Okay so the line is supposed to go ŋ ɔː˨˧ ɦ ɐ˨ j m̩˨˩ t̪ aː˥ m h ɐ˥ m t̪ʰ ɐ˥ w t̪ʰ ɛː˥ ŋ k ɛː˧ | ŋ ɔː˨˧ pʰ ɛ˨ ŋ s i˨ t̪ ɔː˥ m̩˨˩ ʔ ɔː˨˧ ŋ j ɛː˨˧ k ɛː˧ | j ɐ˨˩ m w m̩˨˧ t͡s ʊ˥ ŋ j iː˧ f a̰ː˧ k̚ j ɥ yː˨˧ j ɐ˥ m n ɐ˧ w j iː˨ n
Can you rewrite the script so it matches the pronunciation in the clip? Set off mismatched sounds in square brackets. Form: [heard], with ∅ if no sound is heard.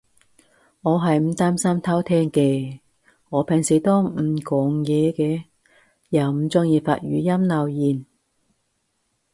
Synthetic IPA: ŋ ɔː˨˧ ɦ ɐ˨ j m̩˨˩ t̪ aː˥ m [s] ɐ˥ m t̪ʰ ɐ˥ w t̪ʰ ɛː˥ ŋ k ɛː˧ | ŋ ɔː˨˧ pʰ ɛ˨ ŋ s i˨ t̪ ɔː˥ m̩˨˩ [k] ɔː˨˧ ŋ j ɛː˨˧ k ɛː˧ | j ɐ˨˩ [∅] w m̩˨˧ t͡s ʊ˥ ŋ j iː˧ f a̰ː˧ [t̚] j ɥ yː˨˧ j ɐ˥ m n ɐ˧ w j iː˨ n